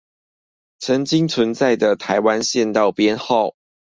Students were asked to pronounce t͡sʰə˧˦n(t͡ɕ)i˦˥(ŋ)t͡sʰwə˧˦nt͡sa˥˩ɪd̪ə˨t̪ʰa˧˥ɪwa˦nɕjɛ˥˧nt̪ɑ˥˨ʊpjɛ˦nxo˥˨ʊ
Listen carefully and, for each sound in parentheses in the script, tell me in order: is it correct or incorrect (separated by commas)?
correct, correct